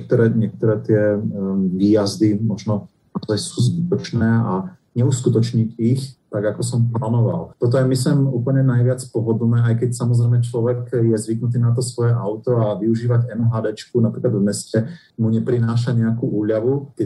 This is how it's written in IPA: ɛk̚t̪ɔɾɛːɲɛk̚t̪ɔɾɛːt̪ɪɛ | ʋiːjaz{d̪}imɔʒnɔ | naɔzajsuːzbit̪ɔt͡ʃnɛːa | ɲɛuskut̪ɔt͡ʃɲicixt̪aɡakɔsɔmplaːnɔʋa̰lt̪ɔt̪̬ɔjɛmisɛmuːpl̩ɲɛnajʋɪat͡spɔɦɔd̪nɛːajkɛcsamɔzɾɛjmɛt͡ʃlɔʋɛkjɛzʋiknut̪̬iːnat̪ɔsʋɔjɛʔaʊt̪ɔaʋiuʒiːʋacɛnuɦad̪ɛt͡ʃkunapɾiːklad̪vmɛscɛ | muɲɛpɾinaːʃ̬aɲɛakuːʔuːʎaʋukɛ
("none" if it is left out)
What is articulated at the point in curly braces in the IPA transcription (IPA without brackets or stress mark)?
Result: d̪